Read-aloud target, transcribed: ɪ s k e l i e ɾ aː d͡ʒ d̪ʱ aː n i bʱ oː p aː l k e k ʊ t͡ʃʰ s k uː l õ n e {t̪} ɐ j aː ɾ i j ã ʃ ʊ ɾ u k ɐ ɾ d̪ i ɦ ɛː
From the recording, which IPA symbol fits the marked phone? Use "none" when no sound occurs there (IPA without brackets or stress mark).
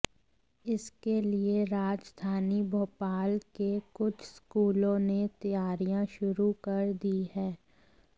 t̪